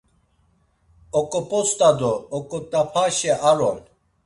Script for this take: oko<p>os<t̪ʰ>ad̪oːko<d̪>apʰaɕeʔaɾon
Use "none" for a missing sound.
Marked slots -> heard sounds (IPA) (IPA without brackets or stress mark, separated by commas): p, t̪, t̪